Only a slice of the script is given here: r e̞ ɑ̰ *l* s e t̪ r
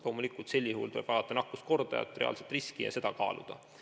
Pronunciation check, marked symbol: correct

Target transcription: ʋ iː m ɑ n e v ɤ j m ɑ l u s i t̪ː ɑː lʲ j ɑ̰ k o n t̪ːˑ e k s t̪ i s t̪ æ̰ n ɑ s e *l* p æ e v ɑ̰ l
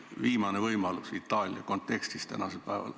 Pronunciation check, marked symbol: correct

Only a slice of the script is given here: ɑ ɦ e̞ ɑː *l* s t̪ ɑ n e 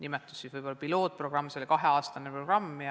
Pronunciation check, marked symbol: incorrect: none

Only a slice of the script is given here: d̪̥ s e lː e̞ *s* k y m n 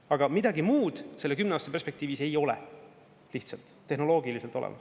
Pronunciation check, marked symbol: incorrect: none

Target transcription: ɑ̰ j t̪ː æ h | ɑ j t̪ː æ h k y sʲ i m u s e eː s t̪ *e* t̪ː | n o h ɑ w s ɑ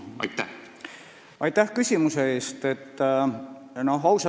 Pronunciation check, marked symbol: correct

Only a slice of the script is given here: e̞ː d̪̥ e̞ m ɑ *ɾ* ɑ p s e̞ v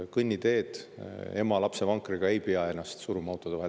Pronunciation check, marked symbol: incorrect: l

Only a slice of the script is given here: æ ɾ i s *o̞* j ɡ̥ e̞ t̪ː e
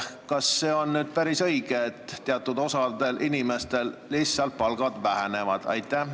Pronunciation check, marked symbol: incorrect: ɤ̞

